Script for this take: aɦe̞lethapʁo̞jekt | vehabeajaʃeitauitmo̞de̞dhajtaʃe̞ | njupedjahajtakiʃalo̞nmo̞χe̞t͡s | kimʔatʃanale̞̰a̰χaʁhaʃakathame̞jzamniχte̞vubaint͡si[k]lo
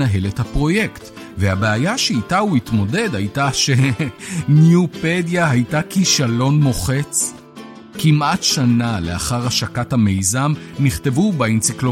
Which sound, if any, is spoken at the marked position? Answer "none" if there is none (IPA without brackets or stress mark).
k